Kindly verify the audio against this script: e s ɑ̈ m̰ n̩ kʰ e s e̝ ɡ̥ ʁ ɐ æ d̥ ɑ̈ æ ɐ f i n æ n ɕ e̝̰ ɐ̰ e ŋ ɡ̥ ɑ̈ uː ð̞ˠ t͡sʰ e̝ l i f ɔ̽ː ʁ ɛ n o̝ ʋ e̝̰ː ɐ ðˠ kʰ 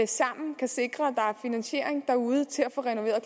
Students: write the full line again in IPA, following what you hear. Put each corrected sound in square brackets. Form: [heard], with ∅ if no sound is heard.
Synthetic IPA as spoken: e s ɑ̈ m̰ n̩ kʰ [æ] s e̝ ɡ̥ ʁ ɐ æ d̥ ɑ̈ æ ɐ f i n æ n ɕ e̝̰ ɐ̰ e ŋ [d̥] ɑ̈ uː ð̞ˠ t͡sʰ e̝ l [æ] f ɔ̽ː ʁ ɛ n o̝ ʋ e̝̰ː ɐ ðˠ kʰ